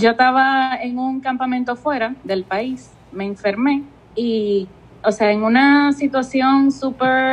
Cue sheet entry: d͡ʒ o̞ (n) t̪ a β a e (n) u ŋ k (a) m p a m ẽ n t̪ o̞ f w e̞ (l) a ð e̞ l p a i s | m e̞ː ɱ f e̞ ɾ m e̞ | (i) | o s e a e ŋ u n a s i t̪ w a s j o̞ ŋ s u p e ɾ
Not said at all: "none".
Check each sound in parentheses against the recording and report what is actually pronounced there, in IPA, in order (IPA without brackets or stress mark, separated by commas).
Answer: none, ŋ, a, ɾ, i